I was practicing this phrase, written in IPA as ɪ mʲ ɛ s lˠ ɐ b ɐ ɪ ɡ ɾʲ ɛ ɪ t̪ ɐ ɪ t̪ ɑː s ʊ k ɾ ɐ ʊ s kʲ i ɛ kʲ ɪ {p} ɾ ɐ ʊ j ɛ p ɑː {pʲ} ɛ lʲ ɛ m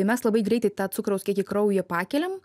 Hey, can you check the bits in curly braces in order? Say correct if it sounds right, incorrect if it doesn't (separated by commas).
incorrect, incorrect